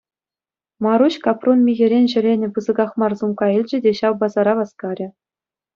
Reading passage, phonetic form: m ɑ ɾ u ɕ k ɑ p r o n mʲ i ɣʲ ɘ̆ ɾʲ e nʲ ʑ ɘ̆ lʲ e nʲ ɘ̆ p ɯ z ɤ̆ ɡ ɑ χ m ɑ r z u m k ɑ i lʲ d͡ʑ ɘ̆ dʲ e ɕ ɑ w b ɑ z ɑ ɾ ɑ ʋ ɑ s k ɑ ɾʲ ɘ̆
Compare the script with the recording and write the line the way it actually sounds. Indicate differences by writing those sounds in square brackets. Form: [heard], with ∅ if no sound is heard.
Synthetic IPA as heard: m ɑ ɾ u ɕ k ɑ p r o n mʲ i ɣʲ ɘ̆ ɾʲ e nʲ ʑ ɘ̆ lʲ e nʲ ɘ̆ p ɯ z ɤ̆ ɡ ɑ χ m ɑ r z u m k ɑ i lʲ d͡ʑ ɘ̆ dʲ e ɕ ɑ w b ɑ z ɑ ɾ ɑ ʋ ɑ s k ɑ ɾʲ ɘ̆